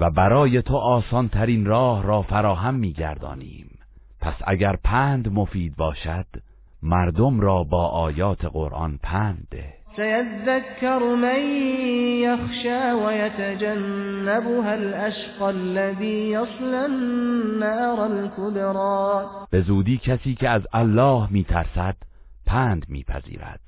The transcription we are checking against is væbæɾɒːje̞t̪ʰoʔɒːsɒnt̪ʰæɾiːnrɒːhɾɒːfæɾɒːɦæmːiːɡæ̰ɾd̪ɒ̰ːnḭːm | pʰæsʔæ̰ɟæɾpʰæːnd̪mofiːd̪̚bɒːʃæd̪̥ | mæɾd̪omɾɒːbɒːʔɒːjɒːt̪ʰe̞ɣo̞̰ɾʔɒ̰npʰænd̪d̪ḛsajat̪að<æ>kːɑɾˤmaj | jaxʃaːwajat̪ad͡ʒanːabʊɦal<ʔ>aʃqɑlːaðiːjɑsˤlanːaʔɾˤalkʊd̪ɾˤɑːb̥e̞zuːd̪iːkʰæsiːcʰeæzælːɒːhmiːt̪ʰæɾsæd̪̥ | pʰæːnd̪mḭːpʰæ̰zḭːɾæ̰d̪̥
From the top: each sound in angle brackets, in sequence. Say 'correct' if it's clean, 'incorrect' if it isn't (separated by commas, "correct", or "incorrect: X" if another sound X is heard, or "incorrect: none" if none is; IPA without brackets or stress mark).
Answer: incorrect: a, correct